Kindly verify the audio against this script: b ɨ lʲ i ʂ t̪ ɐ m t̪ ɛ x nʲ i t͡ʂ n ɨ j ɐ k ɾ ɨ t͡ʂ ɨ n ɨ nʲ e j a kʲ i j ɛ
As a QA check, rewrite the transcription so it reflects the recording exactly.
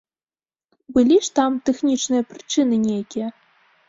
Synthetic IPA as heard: b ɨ lʲ i ʂ t̪ a m t̪ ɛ x nʲ i t͡ʂ n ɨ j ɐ p ɾ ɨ t͡ʂ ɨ n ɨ nʲ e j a kʲ i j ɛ

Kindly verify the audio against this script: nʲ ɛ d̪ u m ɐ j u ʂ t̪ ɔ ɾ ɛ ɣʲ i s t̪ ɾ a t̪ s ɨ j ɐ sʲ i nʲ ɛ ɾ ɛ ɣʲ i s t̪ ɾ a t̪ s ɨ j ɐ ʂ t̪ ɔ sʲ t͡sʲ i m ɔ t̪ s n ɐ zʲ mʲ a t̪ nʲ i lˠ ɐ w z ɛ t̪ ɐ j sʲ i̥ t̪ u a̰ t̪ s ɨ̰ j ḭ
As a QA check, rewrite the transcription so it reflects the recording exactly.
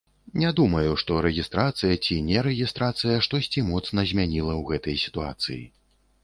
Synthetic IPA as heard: nʲ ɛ d̪ u m ɐ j u ʂ t̪ ɔ ɾ ɛ ɣʲ i s t̪ ɾ a t̪ s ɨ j ɐ t͡sʲ i nʲ ɛ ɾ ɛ ɣʲ i s t̪ ɾ a t̪ s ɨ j ɐ ʂ t̪ ɔ sʲ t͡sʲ i m ɔ t̪ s n ɐ zʲ mʲ a nʲ i lˠ ɐ w ɣ ɛ t̪ ɐ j sʲ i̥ t̪ u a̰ t̪ s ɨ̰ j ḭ

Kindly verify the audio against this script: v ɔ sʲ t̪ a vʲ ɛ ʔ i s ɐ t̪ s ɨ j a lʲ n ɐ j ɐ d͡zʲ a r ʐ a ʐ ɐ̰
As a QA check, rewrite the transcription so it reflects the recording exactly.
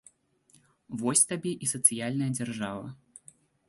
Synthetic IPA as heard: v ɔ sʲ t̪ a bʲ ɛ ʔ i s ɐ t̪ s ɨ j a lʲ n ɐ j ɐ d͡zʲ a r ʐ a v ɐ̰

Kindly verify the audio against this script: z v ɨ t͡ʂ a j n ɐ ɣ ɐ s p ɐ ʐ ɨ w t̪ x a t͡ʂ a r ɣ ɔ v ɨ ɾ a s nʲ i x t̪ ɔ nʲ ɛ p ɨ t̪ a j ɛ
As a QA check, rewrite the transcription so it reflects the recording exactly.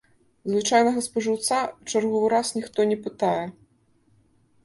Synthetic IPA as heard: z v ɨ t͡ʂ a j n ɐ ɣ ɐ s p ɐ ʐ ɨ w t̪ s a t͡ʂ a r ɣ ɔ v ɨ ɾ a s nʲ i x t̪ ɔ nʲ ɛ p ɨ t̪ a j ɛ

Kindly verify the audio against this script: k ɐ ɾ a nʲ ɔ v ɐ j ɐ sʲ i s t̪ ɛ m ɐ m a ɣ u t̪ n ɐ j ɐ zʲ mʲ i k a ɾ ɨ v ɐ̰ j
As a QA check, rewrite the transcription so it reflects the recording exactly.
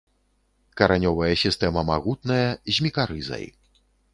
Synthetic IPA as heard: k ɐ ɾ a nʲ ɔ v ɐ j ɐ sʲ i s t̪ ɛ m ɐ m a ɣ u t̪ n ɐ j ɐ zʲ mʲ i k a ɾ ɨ z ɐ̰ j

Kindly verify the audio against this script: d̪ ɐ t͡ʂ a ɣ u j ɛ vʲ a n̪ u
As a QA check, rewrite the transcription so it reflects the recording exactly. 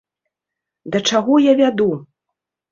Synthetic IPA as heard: d̪ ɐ t͡ʂ a ɣ ɔ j a vʲ a d̪ u

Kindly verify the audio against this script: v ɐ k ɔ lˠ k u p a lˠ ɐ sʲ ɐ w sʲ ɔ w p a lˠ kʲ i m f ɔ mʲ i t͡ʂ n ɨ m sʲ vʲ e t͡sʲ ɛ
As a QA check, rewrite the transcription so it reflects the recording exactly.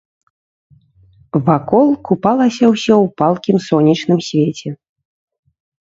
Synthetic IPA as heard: v a k ɔ lˠ k u p a lˠ ɐ sʲ ɐ w sʲ ɔ w p a lˠ kʲ i m s ɔ nʲ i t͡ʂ n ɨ m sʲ vʲ e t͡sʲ ɛ

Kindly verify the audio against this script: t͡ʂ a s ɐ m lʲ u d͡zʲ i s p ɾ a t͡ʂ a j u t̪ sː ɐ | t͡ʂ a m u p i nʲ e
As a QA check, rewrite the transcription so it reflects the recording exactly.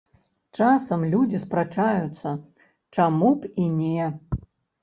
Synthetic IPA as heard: t͡ʂ a s ɐ m lʲ u d͡zʲ i s p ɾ a t͡ʂ a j u t̪ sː ɐ | t͡ʂ a m u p i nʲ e

